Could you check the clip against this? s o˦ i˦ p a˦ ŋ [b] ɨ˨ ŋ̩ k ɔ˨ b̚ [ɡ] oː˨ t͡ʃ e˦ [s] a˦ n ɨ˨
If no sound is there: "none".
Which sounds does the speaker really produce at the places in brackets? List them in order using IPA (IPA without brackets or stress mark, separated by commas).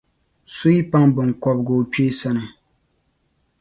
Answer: b, ɡ, s